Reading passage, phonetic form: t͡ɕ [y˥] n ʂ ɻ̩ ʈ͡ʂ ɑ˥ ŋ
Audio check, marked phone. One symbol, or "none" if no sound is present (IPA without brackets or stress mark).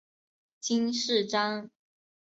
i˥